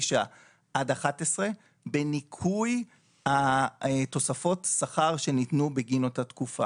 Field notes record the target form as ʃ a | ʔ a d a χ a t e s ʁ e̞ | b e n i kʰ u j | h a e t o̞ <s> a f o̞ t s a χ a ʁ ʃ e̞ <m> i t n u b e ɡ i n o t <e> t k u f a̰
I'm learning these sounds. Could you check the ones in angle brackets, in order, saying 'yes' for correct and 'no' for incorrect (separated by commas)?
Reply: yes, no, no